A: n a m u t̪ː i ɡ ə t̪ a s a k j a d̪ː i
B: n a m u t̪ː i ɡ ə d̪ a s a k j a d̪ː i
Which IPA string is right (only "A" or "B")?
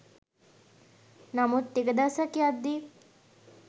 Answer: B